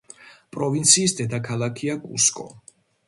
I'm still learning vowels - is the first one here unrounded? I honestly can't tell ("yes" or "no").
no